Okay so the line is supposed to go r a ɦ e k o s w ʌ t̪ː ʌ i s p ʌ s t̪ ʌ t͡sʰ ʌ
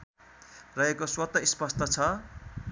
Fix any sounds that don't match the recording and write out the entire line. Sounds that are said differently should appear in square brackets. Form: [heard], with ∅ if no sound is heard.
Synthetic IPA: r [ʌ] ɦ e k o s w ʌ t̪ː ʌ i s p ʌ s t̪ ʌ t͡sʰ ʌ